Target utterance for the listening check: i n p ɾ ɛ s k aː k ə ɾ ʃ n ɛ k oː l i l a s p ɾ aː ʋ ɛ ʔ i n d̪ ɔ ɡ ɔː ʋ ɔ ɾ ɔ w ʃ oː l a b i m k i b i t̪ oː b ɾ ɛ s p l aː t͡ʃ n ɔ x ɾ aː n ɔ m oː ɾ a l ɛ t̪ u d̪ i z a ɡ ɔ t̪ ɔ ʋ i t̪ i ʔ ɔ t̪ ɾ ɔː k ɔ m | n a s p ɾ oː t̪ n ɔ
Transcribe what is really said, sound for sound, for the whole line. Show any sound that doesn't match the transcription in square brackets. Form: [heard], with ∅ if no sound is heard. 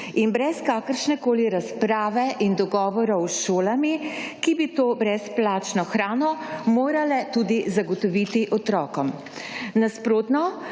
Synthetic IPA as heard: i n [b] ɾ ɛ s k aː k ə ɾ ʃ n ɛ k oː l i [ɾ] a s p ɾ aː ʋ ɛ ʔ i n d̪ ɔ ɡ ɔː ʋ ɔ ɾ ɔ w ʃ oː l a [m] i [∅] k i b i t̪ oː b ɾ ɛ s p l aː t͡ʃ n ɔ x ɾ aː n ɔ m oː ɾ a l ɛ t̪ u d̪ i z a ɡ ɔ t̪ ɔ ʋ i t̪ i ʔ ɔ t̪ ɾ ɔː k ɔ m | n a s p ɾ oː t̪ n ɔ

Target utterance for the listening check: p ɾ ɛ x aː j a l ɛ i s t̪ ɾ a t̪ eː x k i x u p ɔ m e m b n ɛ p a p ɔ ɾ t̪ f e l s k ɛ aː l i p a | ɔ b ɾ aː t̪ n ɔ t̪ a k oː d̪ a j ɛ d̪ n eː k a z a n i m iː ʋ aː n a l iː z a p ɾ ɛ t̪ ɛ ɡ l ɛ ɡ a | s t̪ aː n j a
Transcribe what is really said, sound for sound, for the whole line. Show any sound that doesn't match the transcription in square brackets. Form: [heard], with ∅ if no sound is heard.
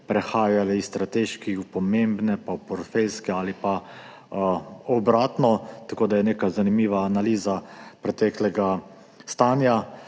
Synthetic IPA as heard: p ɾ ɛ x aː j a l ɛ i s t̪ ɾ a t̪ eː [ʃ] k i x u p ɔ m e m b n ɛ p a p ɔ ɾ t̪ f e l s k ɛ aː l i p a | ɔ b ɾ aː t̪ n ɔ t̪ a k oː d̪ a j ɛ [∅] n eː k a z a n i m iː ʋ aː n a l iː z a p ɾ ɛ t̪ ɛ [k] l ɛ ɡ a | s t̪ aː n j a

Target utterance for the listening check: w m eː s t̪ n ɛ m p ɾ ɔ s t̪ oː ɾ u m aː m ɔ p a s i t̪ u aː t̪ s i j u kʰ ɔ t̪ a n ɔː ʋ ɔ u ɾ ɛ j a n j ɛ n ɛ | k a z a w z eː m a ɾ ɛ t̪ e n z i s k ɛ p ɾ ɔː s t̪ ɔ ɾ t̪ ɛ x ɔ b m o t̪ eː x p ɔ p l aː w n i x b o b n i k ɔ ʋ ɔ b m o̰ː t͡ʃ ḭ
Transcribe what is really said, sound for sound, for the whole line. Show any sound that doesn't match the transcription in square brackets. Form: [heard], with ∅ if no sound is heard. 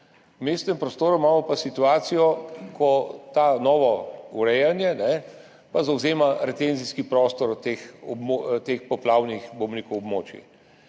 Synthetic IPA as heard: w m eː s t̪ n ɛ m p ɾ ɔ s t̪ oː ɾ u m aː m ɔ p a s i t̪ u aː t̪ s i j [ɔ] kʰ ɔ t̪ a n ɔː ʋ ɔ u ɾ ɛ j a n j ɛ n ɛ | [p] a z a w z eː m a ɾ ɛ t̪ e n z i s k [i] p ɾ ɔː s t̪ ɔ ɾ t̪ [e] x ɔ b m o t̪ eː x p ɔ p l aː w n i x b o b n i k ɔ [w] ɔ b m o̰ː t͡ʃ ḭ

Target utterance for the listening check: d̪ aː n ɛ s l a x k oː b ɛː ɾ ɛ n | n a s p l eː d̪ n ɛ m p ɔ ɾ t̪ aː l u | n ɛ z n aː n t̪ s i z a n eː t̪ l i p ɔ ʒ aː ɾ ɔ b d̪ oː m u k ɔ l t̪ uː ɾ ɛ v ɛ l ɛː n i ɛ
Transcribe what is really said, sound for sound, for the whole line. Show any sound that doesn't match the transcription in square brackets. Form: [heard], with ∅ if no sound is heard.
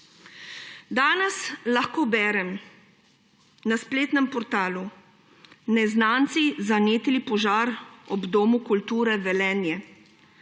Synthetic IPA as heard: d̪ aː n ɛ s l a x k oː b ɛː ɾ ɛ [m] | n a s p l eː [t̪] n ɛ m p ɔ ɾ t̪ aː l u | n ɛ z n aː n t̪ s i z a n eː t̪ l i p ɔ ʒ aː ɾ ɔ b d̪ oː m u k [u] l t̪ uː ɾ ɛ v ɛ l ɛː n [j] ɛ

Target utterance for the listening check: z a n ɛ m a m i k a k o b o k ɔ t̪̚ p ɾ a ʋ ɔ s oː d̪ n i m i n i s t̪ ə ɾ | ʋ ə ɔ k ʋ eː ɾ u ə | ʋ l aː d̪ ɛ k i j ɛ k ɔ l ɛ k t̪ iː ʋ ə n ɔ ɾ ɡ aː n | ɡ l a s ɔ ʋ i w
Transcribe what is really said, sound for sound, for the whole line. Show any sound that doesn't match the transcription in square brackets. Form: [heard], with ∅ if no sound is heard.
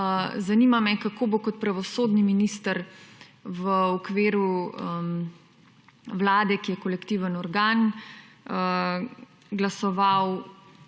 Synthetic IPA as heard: z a n [i] m a m [ɛ] k a k o b o k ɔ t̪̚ p ɾ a ʋ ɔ s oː d̪ n i m i n i s t̪ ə ɾ | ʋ ə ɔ k ʋ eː ɾ u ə | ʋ l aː d̪ ɛ k i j ɛ k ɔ l ɛ k t̪ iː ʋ ə n ɔ ɾ ɡ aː n | ɡ l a s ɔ ʋ [a] w

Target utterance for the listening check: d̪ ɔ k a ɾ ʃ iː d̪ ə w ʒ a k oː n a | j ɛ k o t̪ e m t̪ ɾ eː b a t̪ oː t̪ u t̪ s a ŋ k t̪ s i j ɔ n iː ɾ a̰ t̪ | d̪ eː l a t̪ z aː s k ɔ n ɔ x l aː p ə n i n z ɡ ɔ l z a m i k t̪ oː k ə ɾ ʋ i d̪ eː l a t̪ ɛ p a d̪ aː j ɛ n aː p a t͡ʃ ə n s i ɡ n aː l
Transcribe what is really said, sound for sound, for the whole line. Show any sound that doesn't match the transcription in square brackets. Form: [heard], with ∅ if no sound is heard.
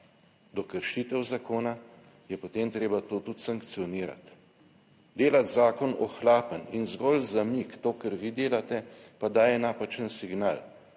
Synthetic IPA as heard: d̪ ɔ k [ə] ɾ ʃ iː [t̪] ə w [z] a k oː n a | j ɛ [p] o t̪ e m t̪ ɾ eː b a t̪ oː t̪ u t̪ s a ŋ k t̪ s i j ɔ n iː ɾ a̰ t̪ | d̪ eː l a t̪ z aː [∅] k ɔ n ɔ x l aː p ə n i n z ɡ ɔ l z a m i k t̪ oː k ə ɾ ʋ i d̪ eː l a t̪ ɛ p a d̪ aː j ɛ n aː p a t͡ʃ ə n s i ɡ n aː l

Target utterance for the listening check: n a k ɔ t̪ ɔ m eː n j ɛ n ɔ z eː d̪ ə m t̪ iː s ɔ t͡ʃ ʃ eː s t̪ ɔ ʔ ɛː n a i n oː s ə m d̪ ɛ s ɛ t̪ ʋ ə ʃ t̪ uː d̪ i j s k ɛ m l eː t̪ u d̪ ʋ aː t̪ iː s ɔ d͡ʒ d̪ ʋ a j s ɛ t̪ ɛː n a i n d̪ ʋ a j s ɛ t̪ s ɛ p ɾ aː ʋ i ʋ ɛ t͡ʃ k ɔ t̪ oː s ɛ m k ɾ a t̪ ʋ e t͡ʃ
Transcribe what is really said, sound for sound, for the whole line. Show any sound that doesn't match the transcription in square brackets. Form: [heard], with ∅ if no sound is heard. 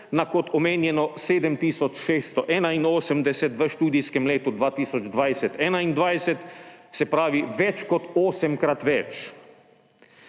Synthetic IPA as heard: n a k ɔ t̪ ɔ m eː n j ɛ n ɔ [s] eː d̪ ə m t̪ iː s ɔ t͡ʃ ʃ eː s t̪ ɔ ʔ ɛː n a i n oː s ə m d̪ ɛ s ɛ t̪ ʋ ə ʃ t̪ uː d̪ i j s k ɛ m l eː t̪ u d̪ ʋ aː t̪ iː s ɔ d͡ʒ d̪ ʋ a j s ɛ t̪ ɛː n a i n d̪ ʋ a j s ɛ t̪ s ɛ p ɾ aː ʋ i ʋ ɛ t͡ʃ k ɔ t̪ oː s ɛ m k ɾ a t̪ ʋ [ɛ] t͡ʃ

